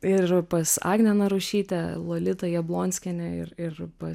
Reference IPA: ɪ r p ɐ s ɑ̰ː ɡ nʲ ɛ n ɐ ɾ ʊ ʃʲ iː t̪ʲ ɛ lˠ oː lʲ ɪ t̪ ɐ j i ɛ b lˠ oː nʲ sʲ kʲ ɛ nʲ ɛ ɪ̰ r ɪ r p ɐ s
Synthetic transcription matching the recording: ɪ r p ɐ s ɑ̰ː ɡ nʲ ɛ n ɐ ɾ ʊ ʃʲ iː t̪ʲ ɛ lˠ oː lʲ ɪ t̪ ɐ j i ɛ b lˠ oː nʲ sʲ kʲ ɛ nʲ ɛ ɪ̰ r ɪ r p ɐ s